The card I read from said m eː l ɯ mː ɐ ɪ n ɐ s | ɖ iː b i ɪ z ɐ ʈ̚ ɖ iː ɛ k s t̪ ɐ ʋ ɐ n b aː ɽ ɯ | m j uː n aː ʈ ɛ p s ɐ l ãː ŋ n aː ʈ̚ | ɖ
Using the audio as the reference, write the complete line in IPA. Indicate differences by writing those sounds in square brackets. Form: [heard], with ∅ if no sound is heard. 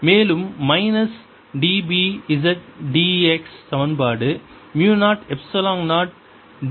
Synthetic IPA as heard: m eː l ɯ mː ɐ ɪ n ɐ s | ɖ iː b i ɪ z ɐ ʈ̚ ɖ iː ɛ k s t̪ ɐ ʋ ɐ n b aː ɽ ɯ | m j uː n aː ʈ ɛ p s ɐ l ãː ŋ n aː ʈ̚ | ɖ

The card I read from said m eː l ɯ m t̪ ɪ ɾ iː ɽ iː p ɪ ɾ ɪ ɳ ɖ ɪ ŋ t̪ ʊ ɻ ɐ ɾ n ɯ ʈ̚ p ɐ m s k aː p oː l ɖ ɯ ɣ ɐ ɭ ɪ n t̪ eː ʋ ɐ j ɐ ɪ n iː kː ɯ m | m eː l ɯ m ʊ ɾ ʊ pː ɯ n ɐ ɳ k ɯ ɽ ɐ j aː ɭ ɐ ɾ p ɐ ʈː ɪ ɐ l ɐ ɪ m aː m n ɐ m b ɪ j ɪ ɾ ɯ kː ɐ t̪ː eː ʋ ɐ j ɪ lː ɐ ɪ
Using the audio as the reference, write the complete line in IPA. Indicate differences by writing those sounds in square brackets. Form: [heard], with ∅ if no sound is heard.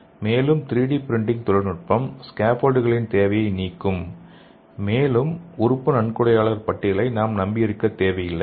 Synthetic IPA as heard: m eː l ɯ m t̪ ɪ ɾ iː ɽ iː p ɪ ɾ ɪ ɳ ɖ ɪ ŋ t̪ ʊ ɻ ɐ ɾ n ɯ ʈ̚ p ɐ m s k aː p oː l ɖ ɯ ɣ ɐ ɭ ɪ n t̪ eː ʋ ɐ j ɐ ɪ n iː kː ɯ m | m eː l ɯ m ʊ ɾ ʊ pː ɯ n ɐ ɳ k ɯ ɽ ɐ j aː ɭ ɐ ɾ p ɐ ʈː ɪ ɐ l ɐ ɪ [n] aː m n ɐ m b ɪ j ɪ ɾ ɯ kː ɐ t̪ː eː ʋ ɐ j ɪ lː ɐ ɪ

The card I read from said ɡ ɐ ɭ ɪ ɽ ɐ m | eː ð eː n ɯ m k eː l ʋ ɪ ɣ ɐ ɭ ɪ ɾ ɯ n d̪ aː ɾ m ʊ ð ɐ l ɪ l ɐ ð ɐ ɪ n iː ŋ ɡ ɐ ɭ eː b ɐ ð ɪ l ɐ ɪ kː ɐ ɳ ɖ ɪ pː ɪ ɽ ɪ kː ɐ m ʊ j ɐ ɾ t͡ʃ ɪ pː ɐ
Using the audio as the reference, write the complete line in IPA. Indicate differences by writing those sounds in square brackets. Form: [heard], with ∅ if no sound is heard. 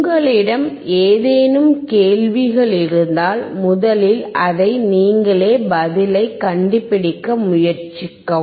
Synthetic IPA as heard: ɡ ɐ ɭ ɪ ɽ ɐ m | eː ð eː n ɯ m k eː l ʋ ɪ ɣ ɐ ɭ ɪ ɾ ɯ n d̪ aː [l] m ʊ ð ɐ l ɪ l ɐ ð ɐ ɪ n iː ŋ ɡ ɐ ɭ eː b ɐ ð ɪ l ɐ ɪ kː ɐ ɳ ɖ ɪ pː ɪ ɽ ɪ kː ɐ m ʊ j ɐ ɾ t͡ʃ ɪ [kː] ɐ

